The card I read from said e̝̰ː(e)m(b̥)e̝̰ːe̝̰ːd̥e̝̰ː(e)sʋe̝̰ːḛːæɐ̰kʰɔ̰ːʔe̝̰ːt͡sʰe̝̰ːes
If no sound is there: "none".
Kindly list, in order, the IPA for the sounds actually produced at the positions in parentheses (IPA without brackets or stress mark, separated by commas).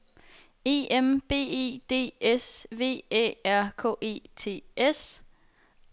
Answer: e, b̥, e